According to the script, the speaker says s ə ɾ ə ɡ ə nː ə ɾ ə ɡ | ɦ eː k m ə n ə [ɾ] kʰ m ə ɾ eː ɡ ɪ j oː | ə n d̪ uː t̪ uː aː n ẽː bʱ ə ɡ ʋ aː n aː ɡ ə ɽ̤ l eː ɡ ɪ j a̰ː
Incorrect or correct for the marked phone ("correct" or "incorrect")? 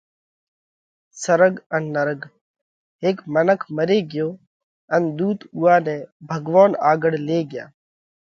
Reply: incorrect